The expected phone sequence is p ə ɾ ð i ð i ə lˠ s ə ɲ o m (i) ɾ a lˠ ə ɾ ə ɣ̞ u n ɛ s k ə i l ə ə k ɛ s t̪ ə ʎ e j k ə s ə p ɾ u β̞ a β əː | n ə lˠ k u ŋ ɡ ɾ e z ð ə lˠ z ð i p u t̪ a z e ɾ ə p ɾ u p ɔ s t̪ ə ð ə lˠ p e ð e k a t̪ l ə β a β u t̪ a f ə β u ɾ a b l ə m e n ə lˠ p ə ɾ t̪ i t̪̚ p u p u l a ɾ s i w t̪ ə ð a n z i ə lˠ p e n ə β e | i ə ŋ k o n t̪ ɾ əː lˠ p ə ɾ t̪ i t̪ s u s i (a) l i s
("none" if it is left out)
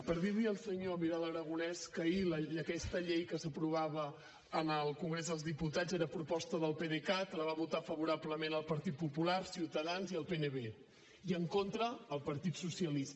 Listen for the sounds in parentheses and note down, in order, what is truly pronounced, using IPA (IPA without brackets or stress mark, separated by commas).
i, ə